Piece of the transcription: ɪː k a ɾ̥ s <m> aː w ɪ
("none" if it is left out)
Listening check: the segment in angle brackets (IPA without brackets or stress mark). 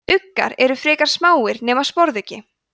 m